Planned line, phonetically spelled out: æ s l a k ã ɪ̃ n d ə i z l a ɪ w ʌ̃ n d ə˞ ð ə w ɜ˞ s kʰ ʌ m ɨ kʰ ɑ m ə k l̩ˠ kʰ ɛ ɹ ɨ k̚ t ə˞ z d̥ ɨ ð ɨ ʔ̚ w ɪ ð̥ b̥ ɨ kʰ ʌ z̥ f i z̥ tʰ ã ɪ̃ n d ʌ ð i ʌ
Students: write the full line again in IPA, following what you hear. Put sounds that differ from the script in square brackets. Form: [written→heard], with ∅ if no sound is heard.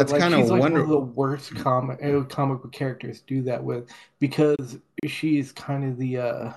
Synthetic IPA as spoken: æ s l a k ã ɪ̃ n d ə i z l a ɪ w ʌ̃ n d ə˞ ð ə w ɜ˞ s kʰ [ʌ→ɑ] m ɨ kʰ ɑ m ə k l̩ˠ kʰ ɛ ɹ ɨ k̚ t ə˞ z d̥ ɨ ð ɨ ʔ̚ w ɪ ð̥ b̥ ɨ kʰ ʌ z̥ [f→ʃ] i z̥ [tʰ→kʰ] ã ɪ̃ n d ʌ ð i ʌ